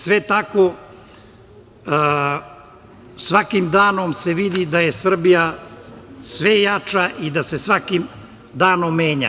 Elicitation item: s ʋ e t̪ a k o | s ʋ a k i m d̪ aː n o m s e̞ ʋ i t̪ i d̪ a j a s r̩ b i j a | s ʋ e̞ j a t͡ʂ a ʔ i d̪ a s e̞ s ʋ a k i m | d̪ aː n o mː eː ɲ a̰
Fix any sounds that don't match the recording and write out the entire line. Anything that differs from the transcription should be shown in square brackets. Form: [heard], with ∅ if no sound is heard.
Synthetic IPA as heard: s ʋ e t̪ a k o | s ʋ a k i m d̪ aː n o m s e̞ ʋ i [d̪] i d̪ a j [e] s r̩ b i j a | s ʋ e̞ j a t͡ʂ a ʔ i d̪ a s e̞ s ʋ a k i m | d̪ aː n o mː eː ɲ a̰